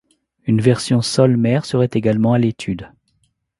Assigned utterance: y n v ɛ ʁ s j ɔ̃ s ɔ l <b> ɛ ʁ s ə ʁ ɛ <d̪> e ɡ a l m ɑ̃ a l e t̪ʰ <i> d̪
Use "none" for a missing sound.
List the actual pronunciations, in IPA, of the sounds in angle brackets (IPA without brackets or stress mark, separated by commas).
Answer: m, t̪, y